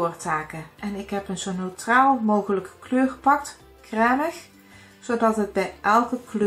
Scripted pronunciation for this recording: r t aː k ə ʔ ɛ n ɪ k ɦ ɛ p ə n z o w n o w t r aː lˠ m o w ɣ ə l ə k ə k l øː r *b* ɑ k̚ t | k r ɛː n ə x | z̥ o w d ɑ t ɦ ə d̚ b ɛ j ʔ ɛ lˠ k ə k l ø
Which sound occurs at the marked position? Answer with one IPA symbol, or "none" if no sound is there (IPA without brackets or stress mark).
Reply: p